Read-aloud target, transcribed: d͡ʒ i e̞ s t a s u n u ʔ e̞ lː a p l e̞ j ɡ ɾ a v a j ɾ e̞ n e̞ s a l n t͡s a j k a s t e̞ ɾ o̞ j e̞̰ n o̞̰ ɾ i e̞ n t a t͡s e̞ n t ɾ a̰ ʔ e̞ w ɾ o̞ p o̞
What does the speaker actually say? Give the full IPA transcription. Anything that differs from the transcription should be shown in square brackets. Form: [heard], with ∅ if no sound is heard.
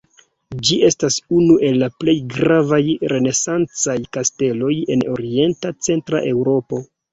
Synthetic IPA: d͡ʒ i e̞ s t a s u n u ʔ e̞ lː a p l e̞ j ɡ ɾ a v a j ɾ e̞ n e̞ s a [∅] n t͡s a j k a s t e̞ [l] o̞ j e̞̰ n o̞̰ ɾ i e̞ n t a t͡s e̞ n t ɾ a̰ ʔ e̞ w ɾ o̞ p o̞